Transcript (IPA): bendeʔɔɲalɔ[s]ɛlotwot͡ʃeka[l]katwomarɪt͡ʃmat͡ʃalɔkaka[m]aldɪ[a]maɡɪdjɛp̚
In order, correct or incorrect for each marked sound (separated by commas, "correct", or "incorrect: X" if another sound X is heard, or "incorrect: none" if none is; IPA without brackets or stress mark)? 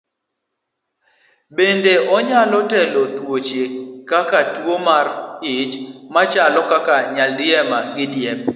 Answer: incorrect: t, incorrect: none, incorrect: ɲ, incorrect: ɛ